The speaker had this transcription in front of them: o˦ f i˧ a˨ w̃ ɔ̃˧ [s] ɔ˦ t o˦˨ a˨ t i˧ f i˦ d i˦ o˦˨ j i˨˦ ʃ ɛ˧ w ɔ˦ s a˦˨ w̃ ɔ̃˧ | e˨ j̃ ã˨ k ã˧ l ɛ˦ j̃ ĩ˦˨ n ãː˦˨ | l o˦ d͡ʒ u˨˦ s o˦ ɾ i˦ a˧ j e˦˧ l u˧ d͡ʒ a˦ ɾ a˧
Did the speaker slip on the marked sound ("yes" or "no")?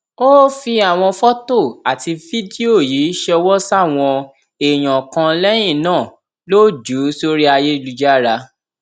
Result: yes